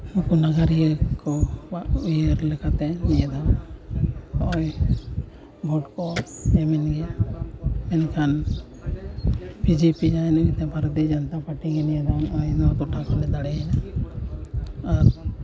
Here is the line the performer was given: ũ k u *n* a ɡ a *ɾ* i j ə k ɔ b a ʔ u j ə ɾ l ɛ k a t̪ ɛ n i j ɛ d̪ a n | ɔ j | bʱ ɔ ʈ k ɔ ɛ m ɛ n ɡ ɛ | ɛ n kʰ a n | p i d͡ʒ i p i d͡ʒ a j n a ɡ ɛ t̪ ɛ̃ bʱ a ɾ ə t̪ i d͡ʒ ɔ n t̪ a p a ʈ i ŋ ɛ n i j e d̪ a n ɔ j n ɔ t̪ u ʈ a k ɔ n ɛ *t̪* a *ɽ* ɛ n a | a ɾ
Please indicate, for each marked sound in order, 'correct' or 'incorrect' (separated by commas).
correct, correct, incorrect, correct